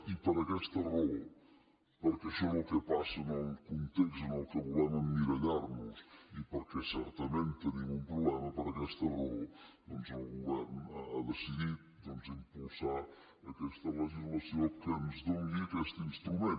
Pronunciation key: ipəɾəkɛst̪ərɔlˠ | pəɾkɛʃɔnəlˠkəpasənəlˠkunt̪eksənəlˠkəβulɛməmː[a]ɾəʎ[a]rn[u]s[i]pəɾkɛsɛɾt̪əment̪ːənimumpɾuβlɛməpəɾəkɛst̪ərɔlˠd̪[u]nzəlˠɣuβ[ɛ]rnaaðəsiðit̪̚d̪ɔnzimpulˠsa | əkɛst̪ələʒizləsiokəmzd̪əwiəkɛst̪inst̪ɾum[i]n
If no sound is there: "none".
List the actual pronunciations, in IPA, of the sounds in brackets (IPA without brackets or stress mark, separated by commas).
i, a, u, i, ɔ, ɛ, e